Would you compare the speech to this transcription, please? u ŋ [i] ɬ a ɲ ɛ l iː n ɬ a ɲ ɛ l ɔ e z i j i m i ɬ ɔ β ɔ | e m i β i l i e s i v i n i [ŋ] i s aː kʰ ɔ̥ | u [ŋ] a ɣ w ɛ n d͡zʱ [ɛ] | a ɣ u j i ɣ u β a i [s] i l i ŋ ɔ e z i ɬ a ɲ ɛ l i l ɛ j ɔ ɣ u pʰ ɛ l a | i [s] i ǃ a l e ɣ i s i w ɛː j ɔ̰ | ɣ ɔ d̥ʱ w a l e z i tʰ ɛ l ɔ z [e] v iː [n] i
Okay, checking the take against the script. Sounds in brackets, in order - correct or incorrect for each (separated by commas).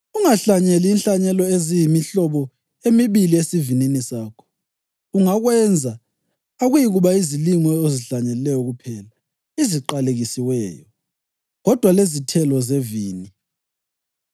incorrect, incorrect, correct, incorrect, incorrect, incorrect, correct, correct